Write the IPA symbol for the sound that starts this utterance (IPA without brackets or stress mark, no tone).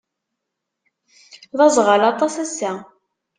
ð